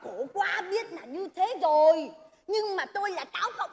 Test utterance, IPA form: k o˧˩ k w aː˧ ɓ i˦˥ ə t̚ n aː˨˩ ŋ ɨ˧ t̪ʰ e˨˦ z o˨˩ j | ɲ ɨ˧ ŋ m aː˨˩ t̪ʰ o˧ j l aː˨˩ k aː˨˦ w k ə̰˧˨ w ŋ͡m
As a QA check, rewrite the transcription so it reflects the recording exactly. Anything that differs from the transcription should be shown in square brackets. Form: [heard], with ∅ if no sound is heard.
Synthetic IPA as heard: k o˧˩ k w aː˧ ɓ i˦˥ ə t̚ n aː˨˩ [ɲ] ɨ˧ t̪ʰ e˨˦ z o˨˩ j | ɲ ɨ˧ ŋ m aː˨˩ [t̪] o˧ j l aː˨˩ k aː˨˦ w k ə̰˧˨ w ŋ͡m

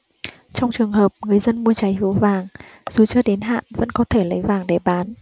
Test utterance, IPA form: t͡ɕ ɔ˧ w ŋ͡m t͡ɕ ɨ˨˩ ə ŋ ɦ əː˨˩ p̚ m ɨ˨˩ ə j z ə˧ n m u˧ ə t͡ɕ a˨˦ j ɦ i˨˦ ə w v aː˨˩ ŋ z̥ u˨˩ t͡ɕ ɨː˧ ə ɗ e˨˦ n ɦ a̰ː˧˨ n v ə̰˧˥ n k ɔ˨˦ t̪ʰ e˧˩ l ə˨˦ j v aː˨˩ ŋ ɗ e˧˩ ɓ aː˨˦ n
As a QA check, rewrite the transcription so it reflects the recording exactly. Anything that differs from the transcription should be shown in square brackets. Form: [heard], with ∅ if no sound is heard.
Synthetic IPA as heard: t͡ɕ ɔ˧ w ŋ͡m t͡ɕ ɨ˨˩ ə ŋ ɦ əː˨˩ p̚ [ŋ] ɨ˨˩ ə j z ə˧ n m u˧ ə t͡ɕ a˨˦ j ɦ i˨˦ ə w v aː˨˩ ŋ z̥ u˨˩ t͡ɕ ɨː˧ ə ɗ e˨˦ n ɦ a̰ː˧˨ n v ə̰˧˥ n k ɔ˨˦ t̪ʰ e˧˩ l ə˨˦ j v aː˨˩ ŋ ɗ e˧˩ ɓ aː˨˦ n

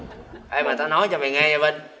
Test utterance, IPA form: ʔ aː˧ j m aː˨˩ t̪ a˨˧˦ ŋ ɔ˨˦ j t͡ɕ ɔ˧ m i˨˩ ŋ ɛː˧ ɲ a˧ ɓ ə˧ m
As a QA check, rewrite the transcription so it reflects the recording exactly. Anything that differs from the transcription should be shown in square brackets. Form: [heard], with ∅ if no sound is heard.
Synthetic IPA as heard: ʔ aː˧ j m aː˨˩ t̪ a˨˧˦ [n] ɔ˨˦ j t͡ɕ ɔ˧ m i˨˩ ŋ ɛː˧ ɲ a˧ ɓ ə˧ [n]

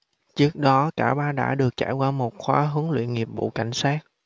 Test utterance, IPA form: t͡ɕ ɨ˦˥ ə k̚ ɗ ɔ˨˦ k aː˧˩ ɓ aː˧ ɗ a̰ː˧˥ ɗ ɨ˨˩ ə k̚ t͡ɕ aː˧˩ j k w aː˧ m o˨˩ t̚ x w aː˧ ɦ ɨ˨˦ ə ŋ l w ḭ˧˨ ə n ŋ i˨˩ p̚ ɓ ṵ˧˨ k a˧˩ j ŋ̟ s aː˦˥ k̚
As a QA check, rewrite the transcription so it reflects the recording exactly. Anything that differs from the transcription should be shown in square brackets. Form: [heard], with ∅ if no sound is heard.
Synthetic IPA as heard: t͡ɕ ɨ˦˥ ə k̚ ɗ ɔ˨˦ k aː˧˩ ɓ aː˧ ɗ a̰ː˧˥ ɗ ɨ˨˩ ə k̚ t͡ɕ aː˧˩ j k w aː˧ m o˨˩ t̚ x w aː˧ ɦ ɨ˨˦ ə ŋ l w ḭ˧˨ ə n ŋ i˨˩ p̚ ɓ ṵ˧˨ k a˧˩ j ŋ̟ s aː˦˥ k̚

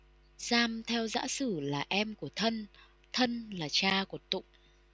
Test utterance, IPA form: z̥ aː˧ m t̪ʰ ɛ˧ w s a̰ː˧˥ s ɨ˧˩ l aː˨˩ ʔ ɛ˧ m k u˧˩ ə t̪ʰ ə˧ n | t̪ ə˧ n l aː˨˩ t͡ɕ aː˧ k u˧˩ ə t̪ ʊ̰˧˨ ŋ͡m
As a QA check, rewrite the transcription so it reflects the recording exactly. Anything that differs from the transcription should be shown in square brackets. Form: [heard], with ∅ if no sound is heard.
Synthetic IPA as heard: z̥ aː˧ m t̪ʰ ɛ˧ w [z] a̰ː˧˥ s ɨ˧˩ l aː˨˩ ʔ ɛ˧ m k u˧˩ ə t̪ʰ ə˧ n | [t̪ʰ] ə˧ n l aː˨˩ t͡ɕ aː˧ k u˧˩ ə t̪ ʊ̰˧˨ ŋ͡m

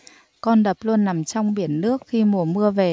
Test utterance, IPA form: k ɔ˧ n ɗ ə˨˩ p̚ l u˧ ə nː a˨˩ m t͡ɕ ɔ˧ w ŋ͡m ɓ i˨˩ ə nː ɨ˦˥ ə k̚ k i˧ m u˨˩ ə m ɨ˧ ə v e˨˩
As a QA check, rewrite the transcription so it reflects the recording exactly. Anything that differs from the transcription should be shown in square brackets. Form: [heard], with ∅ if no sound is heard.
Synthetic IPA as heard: k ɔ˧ n ɗ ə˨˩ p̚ l u˧ ə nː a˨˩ m t͡ɕ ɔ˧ w ŋ͡m ɓ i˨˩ ə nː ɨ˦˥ ə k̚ [x] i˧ m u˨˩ ə m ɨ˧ ə v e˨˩

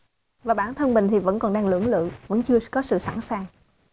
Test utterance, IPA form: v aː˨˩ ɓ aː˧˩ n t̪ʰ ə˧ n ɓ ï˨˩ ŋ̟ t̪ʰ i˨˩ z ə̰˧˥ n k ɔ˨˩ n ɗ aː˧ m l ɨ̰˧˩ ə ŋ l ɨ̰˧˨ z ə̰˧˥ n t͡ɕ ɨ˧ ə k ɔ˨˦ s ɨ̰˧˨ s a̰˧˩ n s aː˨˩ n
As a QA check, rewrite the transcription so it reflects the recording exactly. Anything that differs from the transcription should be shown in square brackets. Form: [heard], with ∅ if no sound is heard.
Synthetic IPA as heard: v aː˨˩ ɓ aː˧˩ n t̪ʰ ə˧ n ɓ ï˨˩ ŋ̟ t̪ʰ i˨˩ [v] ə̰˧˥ n k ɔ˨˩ n ɗ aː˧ [ŋ] l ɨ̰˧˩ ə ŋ l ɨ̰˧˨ [v] ə̰˧˥ n t͡ɕ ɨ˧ ə k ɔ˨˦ s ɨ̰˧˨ s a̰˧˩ n s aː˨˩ [ŋ]

